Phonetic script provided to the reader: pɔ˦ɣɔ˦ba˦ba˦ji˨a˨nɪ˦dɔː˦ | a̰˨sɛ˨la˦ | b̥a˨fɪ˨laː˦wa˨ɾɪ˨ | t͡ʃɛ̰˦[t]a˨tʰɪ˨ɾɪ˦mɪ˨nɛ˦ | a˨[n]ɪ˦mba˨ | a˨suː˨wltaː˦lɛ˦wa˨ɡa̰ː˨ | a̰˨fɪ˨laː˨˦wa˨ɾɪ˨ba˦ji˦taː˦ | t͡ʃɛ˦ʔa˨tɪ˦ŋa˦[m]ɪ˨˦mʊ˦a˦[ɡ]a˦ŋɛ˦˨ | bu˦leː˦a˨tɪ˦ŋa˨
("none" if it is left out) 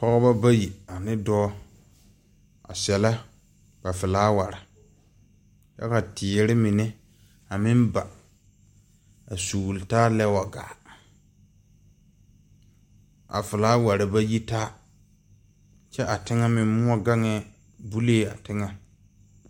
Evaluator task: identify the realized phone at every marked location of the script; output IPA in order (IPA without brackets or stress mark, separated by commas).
k, m, m, ɡ